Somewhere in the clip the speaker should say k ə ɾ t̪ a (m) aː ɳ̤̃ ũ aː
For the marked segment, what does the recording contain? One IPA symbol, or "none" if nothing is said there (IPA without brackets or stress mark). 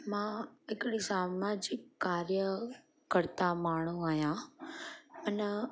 m